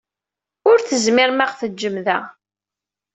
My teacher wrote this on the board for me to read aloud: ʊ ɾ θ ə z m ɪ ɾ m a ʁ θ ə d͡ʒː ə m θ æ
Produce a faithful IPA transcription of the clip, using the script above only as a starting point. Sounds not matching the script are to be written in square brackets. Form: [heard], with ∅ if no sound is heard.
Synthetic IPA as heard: ʊ ɾ θ ə z m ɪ ɾ m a ʁ θ ə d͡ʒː ə m [ð] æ